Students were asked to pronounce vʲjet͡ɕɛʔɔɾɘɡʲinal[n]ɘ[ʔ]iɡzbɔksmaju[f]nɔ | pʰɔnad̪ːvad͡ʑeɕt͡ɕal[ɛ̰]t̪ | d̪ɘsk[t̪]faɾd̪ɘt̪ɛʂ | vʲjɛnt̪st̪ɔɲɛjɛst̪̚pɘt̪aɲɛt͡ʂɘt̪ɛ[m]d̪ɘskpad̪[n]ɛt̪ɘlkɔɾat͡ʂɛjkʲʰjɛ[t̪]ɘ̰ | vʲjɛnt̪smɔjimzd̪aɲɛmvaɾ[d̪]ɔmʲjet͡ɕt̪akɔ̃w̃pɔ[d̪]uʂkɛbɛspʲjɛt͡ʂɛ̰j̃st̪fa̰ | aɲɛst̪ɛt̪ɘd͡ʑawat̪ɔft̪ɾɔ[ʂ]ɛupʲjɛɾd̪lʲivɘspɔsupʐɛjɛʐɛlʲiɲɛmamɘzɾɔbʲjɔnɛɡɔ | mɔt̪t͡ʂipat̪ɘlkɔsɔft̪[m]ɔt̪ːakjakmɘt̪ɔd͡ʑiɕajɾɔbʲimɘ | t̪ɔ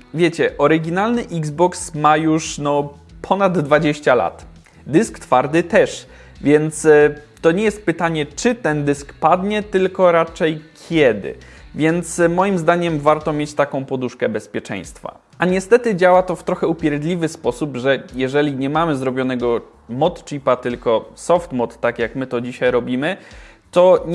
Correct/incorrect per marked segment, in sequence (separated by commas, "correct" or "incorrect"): correct, correct, incorrect, incorrect, correct, incorrect, incorrect, incorrect, incorrect, correct, incorrect, correct